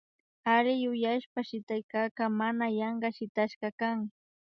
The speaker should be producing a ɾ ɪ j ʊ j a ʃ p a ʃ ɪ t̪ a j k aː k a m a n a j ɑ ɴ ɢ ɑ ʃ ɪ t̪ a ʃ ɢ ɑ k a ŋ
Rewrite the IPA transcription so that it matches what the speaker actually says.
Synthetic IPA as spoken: a ɾ ɪ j ʊ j a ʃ p a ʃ ɪ t̪ a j k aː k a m a n a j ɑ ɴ ɢ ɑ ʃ ɪ t̪ a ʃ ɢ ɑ k a ŋ